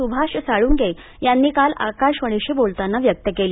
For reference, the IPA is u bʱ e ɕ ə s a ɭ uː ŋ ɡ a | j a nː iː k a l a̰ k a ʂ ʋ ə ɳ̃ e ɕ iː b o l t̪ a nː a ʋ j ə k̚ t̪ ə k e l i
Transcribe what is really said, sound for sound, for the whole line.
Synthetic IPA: u bʱ a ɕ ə s a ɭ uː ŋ ɡ e | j a nː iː k a l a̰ k a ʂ ʋ ə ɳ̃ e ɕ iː b o l t̪ a nː a ʋ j ə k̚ t̪ ə k e l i